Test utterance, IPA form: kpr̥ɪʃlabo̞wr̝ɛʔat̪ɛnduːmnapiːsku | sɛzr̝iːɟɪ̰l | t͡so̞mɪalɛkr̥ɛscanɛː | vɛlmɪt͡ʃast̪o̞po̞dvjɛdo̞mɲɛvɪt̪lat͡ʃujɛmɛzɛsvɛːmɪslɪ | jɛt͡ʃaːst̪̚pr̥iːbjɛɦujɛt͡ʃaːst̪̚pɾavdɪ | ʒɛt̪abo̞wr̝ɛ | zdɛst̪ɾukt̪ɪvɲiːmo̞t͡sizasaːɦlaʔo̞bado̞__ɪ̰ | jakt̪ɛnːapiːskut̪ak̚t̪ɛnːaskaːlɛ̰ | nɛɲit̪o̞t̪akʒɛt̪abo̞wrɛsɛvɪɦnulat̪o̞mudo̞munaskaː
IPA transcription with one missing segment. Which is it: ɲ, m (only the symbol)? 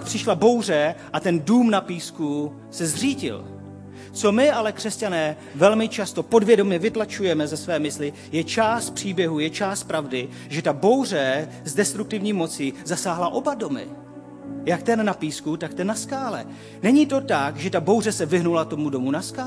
m